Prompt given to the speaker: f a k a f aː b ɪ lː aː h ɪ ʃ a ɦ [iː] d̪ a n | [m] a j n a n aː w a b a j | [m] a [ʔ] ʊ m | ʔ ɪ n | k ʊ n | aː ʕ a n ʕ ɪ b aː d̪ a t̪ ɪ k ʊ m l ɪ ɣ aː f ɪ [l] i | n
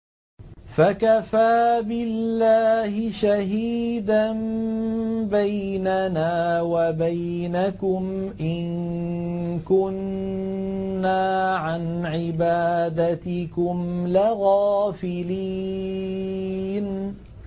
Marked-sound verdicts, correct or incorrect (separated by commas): correct, incorrect, incorrect, incorrect, correct